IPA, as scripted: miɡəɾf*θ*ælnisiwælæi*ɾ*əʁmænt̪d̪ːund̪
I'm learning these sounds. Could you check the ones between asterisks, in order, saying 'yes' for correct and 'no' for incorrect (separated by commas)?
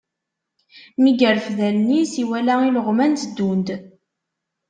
no, no